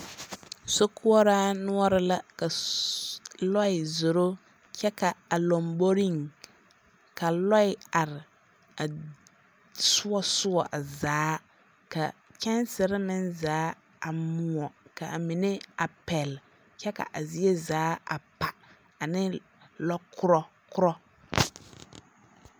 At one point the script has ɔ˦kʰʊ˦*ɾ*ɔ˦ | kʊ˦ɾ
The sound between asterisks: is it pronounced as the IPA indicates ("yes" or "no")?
yes